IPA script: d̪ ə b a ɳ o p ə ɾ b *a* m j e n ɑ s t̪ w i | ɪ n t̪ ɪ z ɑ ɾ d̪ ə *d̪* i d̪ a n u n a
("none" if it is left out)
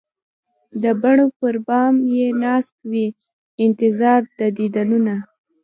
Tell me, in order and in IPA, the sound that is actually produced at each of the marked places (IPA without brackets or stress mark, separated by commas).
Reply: ɑ, d̪